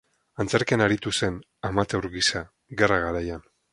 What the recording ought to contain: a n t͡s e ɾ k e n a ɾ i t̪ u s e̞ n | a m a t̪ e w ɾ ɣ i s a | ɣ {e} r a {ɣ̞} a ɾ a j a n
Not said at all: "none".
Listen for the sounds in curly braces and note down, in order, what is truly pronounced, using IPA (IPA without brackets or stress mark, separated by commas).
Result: e, ɣ̞